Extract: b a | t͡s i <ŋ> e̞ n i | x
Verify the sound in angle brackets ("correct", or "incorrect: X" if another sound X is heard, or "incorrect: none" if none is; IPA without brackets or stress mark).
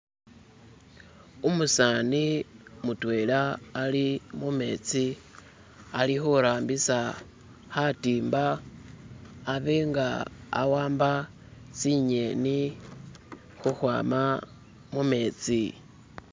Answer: incorrect: ɲ